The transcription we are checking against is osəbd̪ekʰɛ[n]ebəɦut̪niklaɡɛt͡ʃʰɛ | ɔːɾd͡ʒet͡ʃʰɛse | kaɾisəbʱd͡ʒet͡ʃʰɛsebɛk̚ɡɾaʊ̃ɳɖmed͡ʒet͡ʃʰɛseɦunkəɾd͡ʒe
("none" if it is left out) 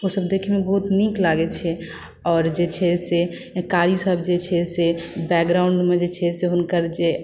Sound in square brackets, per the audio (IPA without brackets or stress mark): m